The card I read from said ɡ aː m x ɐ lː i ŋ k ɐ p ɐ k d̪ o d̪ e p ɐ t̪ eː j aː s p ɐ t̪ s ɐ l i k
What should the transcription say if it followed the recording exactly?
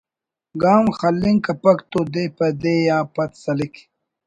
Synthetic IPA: ɡ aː m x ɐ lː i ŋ k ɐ p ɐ k t̪ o d̪ e p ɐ d̪ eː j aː p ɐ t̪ s ɐ l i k